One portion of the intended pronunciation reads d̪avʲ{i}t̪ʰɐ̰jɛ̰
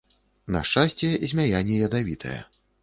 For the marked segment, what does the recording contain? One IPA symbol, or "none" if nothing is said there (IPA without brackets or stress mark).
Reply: i